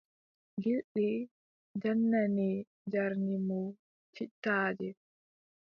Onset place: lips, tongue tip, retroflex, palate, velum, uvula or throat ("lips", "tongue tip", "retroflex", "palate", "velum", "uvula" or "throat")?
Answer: velum